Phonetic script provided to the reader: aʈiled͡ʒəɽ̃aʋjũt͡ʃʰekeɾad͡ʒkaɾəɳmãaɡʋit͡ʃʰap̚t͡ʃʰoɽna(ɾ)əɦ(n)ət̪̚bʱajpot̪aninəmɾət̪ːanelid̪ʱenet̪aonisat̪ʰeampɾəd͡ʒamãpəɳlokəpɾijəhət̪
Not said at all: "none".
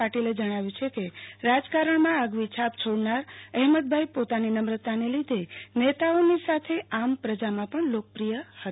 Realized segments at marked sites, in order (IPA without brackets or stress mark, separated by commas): ɾ, m